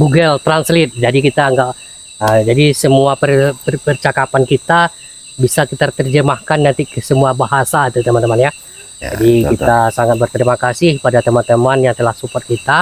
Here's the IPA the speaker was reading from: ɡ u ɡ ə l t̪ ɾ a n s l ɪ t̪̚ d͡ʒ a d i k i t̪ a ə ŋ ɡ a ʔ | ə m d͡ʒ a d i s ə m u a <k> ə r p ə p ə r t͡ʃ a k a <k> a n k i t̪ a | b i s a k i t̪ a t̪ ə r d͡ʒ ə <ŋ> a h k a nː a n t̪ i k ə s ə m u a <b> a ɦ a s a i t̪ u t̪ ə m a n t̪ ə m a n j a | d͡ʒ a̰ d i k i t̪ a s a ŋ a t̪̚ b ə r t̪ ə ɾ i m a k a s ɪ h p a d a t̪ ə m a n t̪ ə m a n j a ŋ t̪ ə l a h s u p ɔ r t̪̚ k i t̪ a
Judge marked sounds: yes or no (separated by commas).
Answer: no, no, no, yes